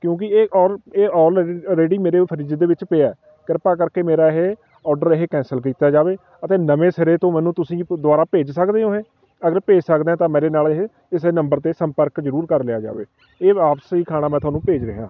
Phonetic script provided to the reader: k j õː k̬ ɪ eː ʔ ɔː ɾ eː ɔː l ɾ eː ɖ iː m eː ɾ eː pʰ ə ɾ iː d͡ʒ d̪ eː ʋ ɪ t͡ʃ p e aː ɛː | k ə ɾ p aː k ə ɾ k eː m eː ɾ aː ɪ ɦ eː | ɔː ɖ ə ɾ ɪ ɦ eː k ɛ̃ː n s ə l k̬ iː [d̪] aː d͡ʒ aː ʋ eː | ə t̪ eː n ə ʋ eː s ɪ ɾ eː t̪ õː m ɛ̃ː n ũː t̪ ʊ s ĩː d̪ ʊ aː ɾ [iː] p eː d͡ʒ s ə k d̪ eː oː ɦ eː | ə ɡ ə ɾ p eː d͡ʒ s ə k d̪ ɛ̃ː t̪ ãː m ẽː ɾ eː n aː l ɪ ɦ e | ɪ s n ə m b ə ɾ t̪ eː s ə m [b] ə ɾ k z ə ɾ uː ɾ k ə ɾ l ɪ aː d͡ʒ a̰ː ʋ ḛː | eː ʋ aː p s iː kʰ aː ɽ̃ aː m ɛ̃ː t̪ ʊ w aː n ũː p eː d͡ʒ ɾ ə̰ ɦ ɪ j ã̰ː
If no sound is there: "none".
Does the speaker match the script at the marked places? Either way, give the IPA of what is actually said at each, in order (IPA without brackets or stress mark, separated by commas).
t̪, aː, p